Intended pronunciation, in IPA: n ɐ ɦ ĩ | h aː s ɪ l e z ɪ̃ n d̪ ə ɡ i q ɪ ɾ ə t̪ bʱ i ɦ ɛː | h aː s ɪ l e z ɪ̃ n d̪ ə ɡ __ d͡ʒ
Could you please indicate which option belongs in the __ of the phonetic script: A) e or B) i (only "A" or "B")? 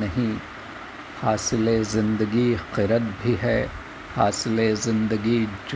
B